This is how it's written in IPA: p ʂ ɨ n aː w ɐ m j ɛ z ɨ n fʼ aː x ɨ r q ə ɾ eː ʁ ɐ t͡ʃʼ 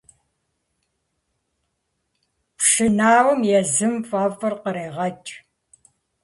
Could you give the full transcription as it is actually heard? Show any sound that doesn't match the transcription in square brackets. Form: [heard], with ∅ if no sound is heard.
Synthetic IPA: p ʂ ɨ n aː w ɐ m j ɛ z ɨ [m] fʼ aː [f] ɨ r q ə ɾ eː ʁ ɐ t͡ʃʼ